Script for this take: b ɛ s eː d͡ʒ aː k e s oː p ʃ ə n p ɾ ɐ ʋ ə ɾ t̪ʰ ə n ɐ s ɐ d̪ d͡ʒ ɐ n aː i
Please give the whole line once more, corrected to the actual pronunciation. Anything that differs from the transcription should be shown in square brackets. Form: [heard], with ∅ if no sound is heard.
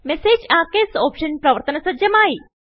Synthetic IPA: [m] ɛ s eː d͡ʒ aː k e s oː p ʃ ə n p ɾ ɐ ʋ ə ɾ [t̪] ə n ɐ s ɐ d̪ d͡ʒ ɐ [m] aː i